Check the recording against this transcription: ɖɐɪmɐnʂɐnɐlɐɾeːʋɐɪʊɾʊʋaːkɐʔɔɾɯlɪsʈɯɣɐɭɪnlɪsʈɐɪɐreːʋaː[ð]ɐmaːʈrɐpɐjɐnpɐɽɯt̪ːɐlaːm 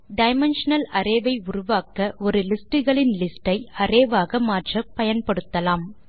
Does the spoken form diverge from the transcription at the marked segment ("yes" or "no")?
yes